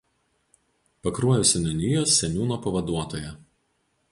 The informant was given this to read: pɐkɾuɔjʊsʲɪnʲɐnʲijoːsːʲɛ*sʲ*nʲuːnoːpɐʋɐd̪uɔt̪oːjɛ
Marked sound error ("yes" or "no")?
yes